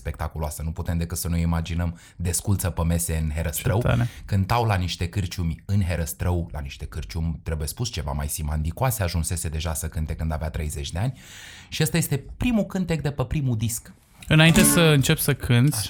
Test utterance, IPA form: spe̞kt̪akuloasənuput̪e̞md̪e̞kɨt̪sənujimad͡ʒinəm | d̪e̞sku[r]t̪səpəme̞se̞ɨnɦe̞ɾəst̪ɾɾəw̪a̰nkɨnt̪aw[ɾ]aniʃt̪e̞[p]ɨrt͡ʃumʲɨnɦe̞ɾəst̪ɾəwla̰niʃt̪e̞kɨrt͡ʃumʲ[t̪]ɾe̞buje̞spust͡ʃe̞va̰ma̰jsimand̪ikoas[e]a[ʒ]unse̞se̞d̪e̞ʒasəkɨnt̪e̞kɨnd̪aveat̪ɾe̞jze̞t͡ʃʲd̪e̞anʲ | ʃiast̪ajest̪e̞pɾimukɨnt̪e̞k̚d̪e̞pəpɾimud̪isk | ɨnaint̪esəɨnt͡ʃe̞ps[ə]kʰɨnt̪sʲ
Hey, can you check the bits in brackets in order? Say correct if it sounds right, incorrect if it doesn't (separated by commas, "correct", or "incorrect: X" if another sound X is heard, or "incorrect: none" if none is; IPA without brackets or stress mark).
incorrect: l, incorrect: l, incorrect: k, correct, correct, correct, correct